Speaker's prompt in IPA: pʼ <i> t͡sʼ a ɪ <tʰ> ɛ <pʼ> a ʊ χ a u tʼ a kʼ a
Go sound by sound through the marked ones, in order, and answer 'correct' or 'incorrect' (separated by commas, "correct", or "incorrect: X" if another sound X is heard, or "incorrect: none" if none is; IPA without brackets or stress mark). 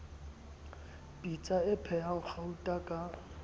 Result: correct, incorrect: pʰ, incorrect: none